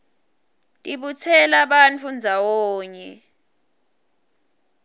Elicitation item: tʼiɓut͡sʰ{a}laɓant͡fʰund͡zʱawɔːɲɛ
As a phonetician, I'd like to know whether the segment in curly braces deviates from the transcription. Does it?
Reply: yes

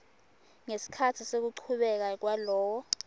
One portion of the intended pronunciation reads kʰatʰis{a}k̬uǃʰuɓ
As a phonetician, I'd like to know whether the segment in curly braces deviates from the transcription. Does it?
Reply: yes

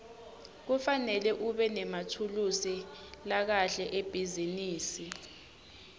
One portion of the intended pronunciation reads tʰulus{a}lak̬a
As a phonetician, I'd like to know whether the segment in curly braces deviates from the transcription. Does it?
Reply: yes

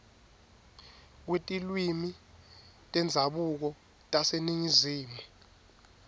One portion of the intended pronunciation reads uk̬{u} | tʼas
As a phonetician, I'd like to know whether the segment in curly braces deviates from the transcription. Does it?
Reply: yes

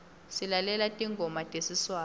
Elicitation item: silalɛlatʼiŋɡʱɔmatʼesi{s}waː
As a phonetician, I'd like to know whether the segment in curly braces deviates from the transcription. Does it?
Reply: no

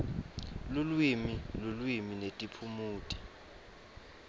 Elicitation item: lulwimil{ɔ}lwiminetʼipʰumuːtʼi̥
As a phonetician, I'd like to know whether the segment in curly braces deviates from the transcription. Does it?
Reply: yes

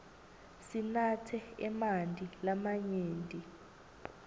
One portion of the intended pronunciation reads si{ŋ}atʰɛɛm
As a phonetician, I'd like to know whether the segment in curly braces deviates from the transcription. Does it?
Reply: yes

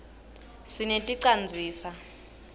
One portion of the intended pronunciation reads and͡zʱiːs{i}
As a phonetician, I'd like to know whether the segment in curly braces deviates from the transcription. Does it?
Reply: yes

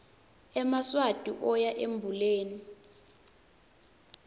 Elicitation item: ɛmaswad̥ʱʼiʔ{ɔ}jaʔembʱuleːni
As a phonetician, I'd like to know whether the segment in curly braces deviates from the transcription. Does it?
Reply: no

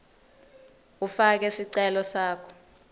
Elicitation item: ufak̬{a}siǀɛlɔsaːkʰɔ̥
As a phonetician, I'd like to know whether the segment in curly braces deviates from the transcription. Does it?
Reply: yes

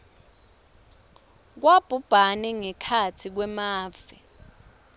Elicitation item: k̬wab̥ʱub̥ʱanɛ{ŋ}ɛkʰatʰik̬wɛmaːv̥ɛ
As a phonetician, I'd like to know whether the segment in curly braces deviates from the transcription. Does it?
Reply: no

